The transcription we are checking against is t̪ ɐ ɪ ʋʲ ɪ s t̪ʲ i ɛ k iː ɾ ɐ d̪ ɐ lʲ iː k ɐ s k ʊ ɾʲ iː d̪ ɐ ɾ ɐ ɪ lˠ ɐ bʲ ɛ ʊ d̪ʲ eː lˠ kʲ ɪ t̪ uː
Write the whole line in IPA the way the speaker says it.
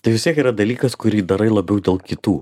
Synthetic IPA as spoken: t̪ ɐ ɪ ʋʲ ɪ s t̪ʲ i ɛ k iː ɾ ɐ d̪ ɐ lʲ iː k ɐ s k ʊ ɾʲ iː d̪ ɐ ɾ ɐ ɪ lˠ ɐ bʲ ɛ ʊ d̪ʲ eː lˠ kʲ ɪ t̪ uː